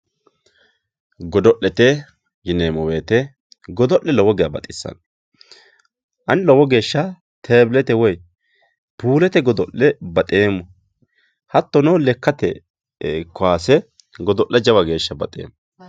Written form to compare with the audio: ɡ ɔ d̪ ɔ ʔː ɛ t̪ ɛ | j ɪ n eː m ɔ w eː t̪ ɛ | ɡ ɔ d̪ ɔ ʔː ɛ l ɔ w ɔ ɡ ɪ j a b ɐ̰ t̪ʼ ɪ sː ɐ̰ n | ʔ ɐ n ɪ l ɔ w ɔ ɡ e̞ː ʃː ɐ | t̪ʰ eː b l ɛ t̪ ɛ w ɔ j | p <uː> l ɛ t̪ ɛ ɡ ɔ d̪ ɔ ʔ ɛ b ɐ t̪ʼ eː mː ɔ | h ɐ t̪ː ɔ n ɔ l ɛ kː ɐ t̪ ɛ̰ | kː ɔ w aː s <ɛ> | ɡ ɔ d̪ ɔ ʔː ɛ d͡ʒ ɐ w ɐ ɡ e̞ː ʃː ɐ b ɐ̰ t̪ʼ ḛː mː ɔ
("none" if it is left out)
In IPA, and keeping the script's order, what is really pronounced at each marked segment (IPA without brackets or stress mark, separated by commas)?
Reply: uː, ɛ